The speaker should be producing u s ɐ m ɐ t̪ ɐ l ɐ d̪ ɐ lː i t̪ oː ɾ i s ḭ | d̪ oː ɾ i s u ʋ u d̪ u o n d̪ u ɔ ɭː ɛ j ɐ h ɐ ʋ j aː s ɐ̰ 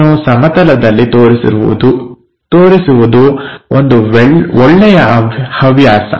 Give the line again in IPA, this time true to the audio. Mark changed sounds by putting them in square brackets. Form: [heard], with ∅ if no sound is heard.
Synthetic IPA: u s ɐ m ɐ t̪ ɐ l ɐ d̪ ɐ lː i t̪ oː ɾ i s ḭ | [t̪] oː ɾ i s u ʋ u d̪ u o n d̪ u ɔ ɭː ɛ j ɐ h ɐ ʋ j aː s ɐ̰